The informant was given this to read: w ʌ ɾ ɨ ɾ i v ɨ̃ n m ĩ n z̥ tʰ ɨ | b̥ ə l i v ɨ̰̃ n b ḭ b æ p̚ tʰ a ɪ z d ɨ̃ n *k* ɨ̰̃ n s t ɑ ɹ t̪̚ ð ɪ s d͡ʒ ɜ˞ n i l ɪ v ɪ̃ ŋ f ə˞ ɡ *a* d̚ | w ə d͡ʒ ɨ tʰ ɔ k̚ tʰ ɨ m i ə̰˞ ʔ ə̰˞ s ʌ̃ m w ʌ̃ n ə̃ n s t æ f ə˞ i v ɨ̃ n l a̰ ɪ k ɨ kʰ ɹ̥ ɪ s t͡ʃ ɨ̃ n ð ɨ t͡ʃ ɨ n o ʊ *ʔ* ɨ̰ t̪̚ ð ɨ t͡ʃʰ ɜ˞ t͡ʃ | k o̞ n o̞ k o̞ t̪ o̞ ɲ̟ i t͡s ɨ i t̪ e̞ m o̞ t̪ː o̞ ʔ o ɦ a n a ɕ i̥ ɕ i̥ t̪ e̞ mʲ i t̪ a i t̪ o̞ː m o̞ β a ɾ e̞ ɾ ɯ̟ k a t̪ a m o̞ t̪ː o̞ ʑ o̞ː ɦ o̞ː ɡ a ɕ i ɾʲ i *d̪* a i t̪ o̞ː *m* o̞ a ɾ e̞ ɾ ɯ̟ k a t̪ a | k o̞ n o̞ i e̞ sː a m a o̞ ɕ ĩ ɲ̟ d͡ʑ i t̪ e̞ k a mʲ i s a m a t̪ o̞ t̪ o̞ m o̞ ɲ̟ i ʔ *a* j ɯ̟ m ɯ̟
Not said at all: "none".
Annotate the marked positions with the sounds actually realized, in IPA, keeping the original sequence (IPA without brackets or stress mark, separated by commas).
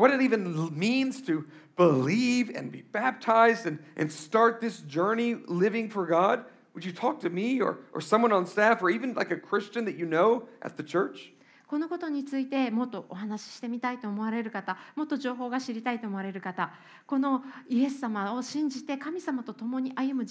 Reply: ʔ, ɑ, ʔ, t̪, m, a